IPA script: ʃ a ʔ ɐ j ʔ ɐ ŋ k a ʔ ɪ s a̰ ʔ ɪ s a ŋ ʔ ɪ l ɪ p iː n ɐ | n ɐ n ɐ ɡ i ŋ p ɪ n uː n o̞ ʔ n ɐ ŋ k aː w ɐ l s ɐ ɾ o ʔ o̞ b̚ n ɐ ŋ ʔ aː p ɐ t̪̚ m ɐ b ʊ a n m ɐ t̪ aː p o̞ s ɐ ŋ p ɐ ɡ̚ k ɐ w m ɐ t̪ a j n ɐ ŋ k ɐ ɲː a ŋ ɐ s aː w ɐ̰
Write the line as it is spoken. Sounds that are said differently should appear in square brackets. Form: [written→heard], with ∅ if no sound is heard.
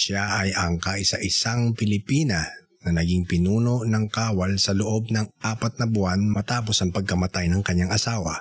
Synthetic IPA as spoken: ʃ a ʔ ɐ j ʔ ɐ ŋ k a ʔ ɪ s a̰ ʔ ɪ s a ŋ [ʔ→p] ɪ l ɪ p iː n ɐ | n ɐ n ɐ ɡ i ŋ p ɪ n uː n o̞ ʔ n ɐ ŋ k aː w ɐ l s ɐ [ɾ→l] o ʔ o̞ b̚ n ɐ ŋ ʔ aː p ɐ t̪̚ [m→n] ɐ b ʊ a n m ɐ t̪ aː p o̞ s ɐ ŋ p ɐ ɡ̚ k ɐ [w→∅] m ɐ t̪ a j n ɐ ŋ k ɐ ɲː a ŋ ɐ s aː w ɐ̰